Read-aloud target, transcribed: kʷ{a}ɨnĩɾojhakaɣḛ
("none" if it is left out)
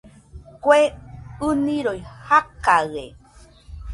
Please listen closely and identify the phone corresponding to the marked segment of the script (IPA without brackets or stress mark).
e